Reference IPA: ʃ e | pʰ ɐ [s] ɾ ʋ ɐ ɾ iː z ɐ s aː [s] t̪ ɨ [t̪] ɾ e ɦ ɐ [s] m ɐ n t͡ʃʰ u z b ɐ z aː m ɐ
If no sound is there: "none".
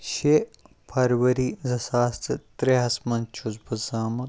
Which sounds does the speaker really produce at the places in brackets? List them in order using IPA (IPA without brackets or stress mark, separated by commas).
none, s, t̪, s